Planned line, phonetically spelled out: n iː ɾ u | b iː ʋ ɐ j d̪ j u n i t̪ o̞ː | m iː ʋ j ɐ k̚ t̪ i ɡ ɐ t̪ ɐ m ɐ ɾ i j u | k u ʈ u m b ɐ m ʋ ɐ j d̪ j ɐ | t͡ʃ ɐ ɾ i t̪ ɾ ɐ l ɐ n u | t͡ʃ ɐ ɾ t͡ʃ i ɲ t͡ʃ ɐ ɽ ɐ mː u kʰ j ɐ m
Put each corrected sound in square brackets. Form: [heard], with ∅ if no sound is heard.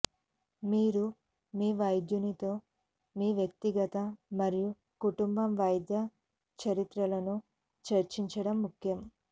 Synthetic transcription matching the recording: [m] iː ɾ u | [m] iː ʋ ɐ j d̪ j u n i t̪ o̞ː | m iː ʋ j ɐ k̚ t̪ i ɡ ɐ t̪ ɐ m ɐ ɾ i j u | k u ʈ u m b ɐ m ʋ ɐ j d̪ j ɐ | t͡ʃ ɐ ɾ i t̪ ɾ ɐ l ɐ n u | t͡ʃ ɐ ɾ t͡ʃ i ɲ t͡ʃ ɐ ɽ ɐ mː u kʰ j ɐ m